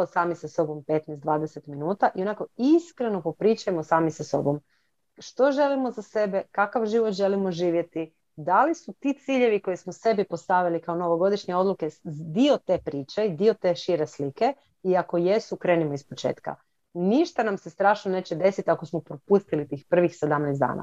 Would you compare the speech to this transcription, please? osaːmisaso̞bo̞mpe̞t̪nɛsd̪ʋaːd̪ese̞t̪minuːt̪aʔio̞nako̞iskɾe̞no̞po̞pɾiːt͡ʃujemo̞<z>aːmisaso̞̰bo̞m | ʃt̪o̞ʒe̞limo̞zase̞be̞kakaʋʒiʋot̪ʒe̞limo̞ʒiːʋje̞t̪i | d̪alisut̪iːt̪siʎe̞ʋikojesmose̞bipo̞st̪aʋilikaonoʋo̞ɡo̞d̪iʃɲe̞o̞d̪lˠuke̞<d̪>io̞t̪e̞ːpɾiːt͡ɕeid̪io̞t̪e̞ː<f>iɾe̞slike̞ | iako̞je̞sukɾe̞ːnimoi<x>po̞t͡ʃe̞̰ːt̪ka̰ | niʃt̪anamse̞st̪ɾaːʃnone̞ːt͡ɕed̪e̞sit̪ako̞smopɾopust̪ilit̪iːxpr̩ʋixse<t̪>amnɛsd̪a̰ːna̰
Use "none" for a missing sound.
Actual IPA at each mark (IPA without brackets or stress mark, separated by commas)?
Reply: s, d̪, ʃ, s, d̪